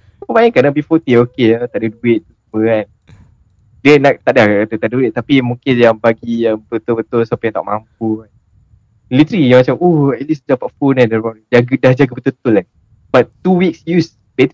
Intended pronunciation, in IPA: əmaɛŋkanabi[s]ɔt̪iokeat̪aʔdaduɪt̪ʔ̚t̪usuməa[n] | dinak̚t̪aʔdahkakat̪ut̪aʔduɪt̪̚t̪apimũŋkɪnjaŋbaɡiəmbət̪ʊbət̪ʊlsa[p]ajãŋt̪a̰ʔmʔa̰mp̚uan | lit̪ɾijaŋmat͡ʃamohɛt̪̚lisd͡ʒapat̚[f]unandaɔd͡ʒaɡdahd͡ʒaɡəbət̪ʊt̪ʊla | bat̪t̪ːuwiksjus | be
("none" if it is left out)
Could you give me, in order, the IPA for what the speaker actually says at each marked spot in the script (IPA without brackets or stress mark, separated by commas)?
f, n, p, f